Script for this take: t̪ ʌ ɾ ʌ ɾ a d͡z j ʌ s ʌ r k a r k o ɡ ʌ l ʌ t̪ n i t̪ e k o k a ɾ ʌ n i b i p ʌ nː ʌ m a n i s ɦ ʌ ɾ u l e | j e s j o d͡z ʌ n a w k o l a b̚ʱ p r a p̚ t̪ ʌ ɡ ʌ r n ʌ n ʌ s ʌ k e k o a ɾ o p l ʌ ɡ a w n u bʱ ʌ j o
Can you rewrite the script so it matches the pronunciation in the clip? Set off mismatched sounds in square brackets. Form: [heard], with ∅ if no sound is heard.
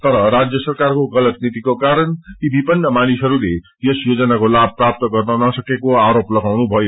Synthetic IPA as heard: t̪ ʌ ɾ ʌ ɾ a d͡z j ʌ s ʌ r k a r k o ɡ ʌ l ʌ t̪ n i t̪ [i] k o k a ɾ ʌ n i b i p ʌ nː ʌ m a n i s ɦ ʌ ɾ u l e | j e s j o d͡z ʌ n a [∅] k o l a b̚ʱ p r a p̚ t̪ ʌ ɡ ʌ r n ʌ n ʌ s ʌ k e k o a ɾ o p l ʌ ɡ a w n u bʱ ʌ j o